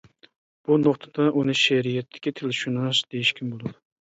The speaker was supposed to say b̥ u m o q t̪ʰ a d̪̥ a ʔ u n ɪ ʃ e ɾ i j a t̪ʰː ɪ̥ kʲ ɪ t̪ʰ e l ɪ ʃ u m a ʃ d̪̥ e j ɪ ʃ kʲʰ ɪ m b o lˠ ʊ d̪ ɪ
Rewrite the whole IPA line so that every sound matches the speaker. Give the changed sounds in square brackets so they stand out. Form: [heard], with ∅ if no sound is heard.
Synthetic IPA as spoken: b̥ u [n] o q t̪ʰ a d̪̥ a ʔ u n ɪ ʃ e ɾ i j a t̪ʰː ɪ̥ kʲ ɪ t̪ʰ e l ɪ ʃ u [n] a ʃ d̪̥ e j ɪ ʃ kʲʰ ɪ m b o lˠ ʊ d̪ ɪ

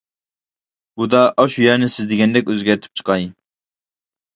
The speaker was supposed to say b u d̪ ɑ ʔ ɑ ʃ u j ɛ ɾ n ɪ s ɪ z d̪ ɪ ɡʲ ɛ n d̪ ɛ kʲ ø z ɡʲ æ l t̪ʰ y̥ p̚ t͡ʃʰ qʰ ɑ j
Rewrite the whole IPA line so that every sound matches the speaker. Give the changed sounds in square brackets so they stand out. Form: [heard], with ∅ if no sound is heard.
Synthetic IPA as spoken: b u d̪ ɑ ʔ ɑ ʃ u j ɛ ɾ n ɪ s ɪ z d̪ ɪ ɡʲ ɛ n d̪ ɛ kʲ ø z ɡʲ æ [ɾ] t̪ʰ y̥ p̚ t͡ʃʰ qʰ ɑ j

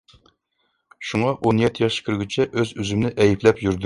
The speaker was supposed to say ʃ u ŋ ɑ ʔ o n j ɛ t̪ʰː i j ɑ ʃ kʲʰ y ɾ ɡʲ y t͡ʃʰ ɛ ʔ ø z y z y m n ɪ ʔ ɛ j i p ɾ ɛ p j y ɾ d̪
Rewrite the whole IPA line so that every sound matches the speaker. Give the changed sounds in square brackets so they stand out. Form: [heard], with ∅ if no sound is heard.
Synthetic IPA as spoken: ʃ u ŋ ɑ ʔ o n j ɛ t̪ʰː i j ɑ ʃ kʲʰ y ɾ ɡʲ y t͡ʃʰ ɛ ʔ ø z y z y m n ɪ ʔ ɛ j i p [l] ɛ p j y ɾ d̪

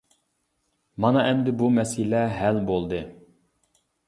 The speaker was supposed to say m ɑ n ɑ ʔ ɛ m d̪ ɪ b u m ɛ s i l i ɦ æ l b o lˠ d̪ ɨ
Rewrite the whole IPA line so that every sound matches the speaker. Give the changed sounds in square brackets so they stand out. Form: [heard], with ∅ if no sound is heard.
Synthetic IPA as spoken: m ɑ n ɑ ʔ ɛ m d̪ ɪ b u m ɛ s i l [ɛ] ɦ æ l b o lˠ d̪ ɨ

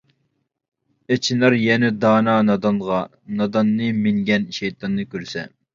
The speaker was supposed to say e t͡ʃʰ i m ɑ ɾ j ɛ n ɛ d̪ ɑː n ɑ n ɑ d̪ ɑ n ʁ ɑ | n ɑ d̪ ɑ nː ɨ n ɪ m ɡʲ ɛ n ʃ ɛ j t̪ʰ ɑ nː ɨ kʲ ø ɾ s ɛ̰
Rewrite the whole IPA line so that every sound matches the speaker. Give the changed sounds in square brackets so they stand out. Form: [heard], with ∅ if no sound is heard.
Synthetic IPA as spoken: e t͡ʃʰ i [n] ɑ ɾ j ɛ n ɛ d̪ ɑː n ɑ n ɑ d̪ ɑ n ʁ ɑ | n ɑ d̪ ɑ nː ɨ [m] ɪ [ŋ] ɡʲ ɛ n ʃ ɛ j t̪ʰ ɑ nː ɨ kʲ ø ɾ s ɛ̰

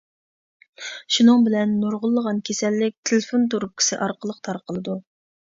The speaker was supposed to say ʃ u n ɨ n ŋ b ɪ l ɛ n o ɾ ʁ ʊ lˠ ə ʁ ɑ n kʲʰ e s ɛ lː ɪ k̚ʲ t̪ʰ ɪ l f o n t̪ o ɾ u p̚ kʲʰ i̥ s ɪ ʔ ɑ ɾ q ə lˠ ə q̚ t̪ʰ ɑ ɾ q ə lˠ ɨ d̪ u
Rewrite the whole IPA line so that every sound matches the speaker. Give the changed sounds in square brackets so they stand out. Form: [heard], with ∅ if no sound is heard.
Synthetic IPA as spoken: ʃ u n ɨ [∅] ŋ b ɪ l ɛ [nː] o ɾ ʁ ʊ [lˠː] ə ʁ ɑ n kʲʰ e s ɛ lː ɪ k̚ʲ t̪ʰ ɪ l f o n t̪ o ɾ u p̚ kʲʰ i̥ s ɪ ʔ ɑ ɾ q ə lˠ ə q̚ t̪ʰ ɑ ɾ q ə lˠ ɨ d̪ u

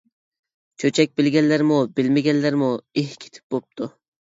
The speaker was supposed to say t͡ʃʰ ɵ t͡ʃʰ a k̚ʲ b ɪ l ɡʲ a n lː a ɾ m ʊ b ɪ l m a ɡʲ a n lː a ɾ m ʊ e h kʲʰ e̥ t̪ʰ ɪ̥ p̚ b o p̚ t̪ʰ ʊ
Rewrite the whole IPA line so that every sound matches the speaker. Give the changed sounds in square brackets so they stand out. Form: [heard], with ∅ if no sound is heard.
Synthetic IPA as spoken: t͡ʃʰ ɵ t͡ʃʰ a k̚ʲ b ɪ l ɡʲ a n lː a ɾ m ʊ b ɪ l m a ɡʲ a n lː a ɾ m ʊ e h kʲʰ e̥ t̪ʰ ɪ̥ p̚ b o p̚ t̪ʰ ʊ

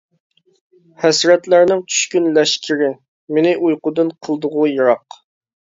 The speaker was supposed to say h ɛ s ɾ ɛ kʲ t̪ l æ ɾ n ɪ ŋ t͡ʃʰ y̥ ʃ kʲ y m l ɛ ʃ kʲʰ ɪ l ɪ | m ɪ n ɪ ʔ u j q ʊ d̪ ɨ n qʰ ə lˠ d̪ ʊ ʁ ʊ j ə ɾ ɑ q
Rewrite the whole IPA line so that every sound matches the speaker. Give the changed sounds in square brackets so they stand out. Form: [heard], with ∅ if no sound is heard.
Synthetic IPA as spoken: h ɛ s ɾ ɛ [∅] t̪ l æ ɾ n ɪ ŋ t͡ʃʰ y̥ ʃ kʲ y [n] l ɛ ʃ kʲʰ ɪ [ɾ] ɪ | m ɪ n ɪ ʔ u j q ʊ d̪ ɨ n qʰ ə lˠ d̪ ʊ ʁ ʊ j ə ɾ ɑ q

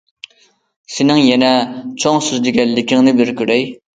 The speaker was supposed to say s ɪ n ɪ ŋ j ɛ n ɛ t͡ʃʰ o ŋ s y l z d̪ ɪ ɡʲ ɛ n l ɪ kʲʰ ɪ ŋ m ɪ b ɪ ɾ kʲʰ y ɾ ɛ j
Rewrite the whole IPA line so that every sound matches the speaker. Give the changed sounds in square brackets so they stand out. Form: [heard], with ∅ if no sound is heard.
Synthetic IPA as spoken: s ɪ n ɪ ŋ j ɛ n ɛ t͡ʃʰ o ŋ s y [∅] z d̪ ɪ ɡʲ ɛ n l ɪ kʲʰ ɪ ŋ [n] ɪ b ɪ ɾ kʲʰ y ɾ ɛ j

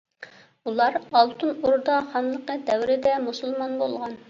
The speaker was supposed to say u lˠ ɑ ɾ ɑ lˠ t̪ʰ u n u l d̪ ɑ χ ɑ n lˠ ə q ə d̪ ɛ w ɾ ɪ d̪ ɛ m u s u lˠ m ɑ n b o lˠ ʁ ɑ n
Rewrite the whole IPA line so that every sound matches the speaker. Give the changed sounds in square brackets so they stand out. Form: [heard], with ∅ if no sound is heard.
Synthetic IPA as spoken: u lˠ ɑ ɾ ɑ lˠ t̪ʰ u n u [ɾ] d̪ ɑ χ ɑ n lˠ ə q ə d̪ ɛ w ɾ ɪ d̪ ɛ m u s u lˠ m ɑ n b o lˠ ʁ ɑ n

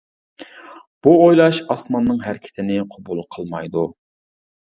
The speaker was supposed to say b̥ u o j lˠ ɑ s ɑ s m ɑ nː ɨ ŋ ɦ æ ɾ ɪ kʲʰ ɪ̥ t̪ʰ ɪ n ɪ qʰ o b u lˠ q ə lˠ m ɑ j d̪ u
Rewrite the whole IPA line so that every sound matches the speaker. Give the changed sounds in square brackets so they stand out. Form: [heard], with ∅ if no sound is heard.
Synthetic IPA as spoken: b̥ u o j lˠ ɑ [ʃ] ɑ s m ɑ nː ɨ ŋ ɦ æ ɾ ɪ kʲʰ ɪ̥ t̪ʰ ɪ n ɪ qʰ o b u lˠ [qʰ] ə lˠ m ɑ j d̪ u

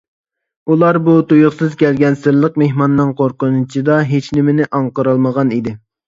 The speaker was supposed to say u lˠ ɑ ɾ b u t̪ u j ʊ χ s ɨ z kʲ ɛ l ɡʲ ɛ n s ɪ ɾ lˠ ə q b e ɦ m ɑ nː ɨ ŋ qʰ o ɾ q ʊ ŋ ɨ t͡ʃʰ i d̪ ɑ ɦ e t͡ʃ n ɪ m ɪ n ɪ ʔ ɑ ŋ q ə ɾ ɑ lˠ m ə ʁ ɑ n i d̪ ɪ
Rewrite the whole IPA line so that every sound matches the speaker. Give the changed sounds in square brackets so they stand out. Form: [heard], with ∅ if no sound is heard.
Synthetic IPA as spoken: u lˠ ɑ ɾ b u t̪ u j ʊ χ s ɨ z kʲ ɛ l ɡʲ ɛ n s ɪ ɾ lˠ ə q [m] e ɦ m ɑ nː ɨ ŋ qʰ o ɾ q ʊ [n] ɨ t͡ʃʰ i d̪ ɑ ɦ e t͡ʃ n ɪ m ɪ n ɪ ʔ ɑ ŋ q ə ɾ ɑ lˠ m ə ʁ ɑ n i d̪ ɪ

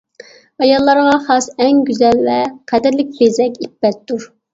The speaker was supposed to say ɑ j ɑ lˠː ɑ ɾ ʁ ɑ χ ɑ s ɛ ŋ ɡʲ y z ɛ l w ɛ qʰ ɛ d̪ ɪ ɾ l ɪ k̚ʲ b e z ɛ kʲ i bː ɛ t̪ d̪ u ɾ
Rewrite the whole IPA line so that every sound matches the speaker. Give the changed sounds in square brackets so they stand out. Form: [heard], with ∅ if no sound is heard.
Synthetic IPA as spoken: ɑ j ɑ lˠː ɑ ɾ ʁ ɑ χ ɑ s ɛ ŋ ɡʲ y z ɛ l [v] ɛ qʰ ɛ d̪ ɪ ɾ l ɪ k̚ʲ b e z ɛ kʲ i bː ɛ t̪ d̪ u ɾ

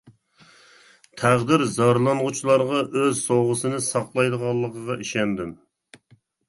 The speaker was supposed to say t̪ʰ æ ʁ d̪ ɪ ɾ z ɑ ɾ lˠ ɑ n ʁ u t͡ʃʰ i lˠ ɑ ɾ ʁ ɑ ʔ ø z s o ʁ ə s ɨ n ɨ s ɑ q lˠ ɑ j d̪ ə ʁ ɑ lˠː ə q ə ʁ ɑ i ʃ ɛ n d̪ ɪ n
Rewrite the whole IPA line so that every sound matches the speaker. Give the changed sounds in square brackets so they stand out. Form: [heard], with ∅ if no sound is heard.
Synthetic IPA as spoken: t̪ʰ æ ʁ d̪ ɪ ɾ z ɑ ɾ lˠ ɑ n ʁ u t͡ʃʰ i lˠ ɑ ɾ ʁ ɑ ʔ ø z s o ʁ ə s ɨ n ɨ s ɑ q lˠ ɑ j d̪ ə ʁ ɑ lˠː ə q ə ʁ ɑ i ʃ ɛ n d̪ ɪ [m]

